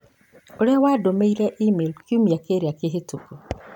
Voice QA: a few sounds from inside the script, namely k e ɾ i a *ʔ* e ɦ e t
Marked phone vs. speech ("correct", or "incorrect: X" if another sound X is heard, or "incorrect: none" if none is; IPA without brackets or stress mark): incorrect: k